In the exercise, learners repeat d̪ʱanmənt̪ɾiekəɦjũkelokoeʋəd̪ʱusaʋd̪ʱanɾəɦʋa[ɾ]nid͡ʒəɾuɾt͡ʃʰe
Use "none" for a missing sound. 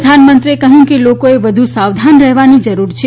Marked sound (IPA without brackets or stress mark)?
none